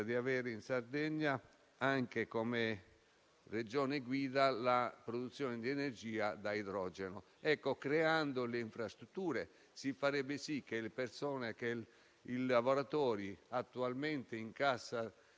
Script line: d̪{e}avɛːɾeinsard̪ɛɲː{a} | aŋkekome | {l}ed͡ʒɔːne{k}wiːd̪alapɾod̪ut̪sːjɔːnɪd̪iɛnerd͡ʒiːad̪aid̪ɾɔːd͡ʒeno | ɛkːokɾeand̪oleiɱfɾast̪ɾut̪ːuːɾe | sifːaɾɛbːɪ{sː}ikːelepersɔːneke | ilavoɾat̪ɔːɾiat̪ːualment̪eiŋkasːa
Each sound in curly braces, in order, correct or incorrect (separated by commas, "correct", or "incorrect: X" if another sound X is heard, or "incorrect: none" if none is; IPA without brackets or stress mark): incorrect: i, correct, incorrect: r, incorrect: ɡ, incorrect: s